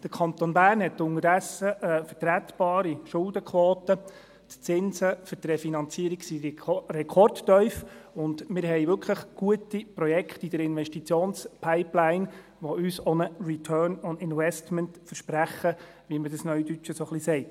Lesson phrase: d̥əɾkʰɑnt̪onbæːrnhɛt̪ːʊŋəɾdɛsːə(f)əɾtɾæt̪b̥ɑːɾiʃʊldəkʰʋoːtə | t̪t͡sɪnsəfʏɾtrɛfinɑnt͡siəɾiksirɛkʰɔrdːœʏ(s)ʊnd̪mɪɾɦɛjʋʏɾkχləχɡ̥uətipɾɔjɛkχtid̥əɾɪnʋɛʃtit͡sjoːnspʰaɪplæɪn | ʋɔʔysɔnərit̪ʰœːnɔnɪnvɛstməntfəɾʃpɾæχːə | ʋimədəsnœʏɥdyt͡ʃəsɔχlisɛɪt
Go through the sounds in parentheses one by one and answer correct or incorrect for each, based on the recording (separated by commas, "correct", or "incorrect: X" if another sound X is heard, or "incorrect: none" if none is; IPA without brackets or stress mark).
correct, incorrect: f